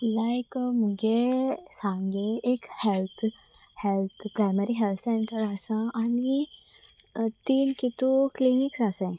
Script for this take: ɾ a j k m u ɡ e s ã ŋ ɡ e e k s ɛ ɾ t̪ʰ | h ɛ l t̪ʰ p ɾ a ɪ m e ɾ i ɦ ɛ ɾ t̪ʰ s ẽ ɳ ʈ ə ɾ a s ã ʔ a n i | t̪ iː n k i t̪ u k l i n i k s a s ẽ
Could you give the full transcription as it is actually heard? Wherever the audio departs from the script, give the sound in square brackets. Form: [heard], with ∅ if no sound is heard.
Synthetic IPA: [l] a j k m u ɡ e s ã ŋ ɡ e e k [h] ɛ [l] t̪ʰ | h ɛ l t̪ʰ p ɾ a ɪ m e ɾ i ɦ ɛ [l] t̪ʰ s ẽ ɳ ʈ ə ɾ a s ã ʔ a n i | t̪ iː n k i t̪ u k l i n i k s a s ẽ